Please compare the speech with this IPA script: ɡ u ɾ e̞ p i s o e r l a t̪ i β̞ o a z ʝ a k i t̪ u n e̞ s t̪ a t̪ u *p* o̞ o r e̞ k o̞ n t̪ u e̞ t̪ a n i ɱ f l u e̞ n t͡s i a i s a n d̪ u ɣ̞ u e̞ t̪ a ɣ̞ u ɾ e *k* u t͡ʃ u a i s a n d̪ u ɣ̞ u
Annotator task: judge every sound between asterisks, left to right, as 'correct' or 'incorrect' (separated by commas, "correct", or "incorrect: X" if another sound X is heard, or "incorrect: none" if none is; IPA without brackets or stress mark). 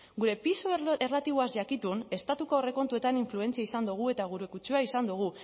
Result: incorrect: k, correct